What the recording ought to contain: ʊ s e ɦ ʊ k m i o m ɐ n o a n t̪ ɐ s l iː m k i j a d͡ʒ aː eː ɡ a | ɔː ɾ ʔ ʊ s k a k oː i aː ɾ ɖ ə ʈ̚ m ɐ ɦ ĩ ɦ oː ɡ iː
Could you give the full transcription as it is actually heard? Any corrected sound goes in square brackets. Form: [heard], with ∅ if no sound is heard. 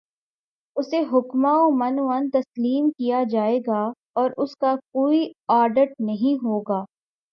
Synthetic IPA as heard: ʊ s e ɦ ʊ k m [a] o m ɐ n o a n t̪ ɐ s l iː m k i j a d͡ʒ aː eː ɡ a | ɔː ɾ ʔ ʊ s k a k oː i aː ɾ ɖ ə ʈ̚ [n] ɐ ɦ ĩ ɦ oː ɡ [aː]